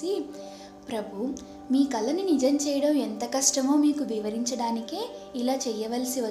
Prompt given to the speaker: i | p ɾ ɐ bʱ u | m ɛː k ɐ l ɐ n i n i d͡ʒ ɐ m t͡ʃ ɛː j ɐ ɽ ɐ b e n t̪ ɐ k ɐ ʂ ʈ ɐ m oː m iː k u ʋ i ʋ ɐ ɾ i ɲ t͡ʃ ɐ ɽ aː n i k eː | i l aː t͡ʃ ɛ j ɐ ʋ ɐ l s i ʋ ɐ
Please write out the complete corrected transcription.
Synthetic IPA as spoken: i | p ɾ ɐ bʱ u | m iː k ɐ l ɐ n i n i d͡ʒ ɐ m t͡ʃ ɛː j ɐ ɽ ɐ m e n t̪ ɐ k ɐ ʂ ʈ ɐ m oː m iː k u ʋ i ʋ ɐ ɾ i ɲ t͡ʃ ɐ ɽ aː n i k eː | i l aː t͡ʃ ɛ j ɐ ʋ ɐ l s i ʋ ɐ